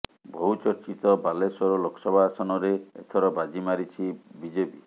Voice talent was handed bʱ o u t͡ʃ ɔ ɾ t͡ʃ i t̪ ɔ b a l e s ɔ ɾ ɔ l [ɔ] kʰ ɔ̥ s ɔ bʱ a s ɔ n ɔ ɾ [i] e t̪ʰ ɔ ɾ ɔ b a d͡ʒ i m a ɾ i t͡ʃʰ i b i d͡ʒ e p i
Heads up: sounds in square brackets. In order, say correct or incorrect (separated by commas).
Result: incorrect, incorrect